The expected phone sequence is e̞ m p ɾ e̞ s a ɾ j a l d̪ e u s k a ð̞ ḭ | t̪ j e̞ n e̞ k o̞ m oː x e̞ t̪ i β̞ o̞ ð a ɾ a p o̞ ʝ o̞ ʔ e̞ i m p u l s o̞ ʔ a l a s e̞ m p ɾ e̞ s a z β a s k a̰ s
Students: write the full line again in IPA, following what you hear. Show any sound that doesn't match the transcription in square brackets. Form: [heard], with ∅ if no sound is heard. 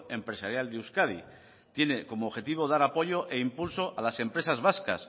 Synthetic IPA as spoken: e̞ m p ɾ e̞ s a ɾ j a l d̪ e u s k a ð̞ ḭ | t̪ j e̞ n e̞ k o̞ m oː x e̞ t̪ i β̞ o̞ ð a ɾ a p o̞ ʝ o̞ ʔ e̞ i m p u l s o̞ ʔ a l a s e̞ m p ɾ e̞ s a z β a s k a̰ s